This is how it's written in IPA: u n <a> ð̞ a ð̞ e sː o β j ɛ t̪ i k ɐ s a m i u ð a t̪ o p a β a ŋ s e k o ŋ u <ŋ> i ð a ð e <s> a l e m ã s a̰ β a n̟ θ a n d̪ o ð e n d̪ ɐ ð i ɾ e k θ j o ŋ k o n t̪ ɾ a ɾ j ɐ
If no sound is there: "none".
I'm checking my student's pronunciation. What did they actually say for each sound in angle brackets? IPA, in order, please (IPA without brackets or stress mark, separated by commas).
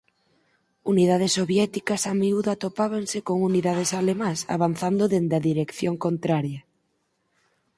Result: i, n, s